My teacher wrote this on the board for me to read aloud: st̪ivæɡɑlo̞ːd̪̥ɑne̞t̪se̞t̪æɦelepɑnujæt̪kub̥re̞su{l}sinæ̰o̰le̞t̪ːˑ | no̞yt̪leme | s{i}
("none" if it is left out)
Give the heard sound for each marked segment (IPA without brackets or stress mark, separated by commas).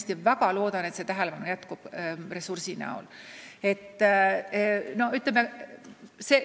r, e